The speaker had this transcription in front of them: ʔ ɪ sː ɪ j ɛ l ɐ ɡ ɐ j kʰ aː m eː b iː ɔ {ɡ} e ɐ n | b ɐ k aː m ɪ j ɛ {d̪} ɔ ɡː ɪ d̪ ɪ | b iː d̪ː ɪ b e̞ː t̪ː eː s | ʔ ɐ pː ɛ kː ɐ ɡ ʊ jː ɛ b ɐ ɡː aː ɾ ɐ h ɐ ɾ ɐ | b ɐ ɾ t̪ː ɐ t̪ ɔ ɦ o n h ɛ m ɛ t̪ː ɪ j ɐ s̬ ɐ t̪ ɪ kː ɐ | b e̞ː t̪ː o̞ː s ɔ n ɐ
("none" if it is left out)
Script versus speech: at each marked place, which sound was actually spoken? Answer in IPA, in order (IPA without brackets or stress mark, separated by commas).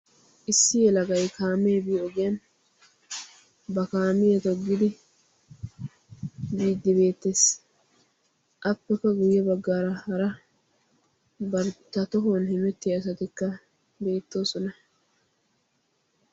ɡ, t̪